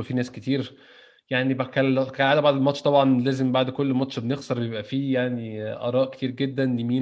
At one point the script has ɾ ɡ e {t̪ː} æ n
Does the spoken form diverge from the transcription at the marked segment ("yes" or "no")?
yes